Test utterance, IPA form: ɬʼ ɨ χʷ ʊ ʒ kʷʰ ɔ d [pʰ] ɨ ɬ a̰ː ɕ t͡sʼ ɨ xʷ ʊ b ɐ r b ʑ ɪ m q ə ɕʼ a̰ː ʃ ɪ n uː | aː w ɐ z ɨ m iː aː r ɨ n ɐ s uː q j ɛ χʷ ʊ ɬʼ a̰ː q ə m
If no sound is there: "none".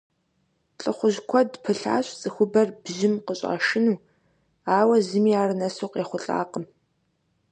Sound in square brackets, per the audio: pʰ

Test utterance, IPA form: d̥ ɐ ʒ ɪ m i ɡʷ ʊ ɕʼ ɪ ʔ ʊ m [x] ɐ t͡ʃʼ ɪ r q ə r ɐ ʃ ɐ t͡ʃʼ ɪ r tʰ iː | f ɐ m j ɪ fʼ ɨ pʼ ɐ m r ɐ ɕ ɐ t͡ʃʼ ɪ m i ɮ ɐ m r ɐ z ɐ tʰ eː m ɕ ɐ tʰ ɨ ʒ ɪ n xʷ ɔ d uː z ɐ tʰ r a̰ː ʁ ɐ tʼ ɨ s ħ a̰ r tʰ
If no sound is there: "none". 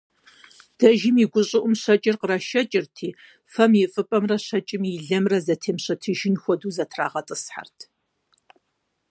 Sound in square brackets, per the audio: ɕ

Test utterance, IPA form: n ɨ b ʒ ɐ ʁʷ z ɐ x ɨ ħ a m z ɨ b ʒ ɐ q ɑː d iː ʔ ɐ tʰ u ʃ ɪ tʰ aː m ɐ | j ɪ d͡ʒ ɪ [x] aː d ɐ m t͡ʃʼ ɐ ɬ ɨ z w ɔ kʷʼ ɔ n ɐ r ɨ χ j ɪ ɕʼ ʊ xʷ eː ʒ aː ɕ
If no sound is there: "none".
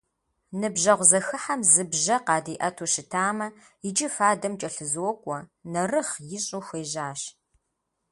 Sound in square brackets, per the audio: f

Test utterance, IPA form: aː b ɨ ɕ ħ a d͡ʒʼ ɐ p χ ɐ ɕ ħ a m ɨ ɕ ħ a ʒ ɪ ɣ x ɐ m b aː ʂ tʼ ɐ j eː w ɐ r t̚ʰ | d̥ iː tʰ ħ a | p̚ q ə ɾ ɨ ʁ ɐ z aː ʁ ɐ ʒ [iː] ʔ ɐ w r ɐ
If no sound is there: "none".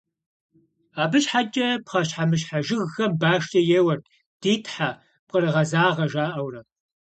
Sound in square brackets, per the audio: aː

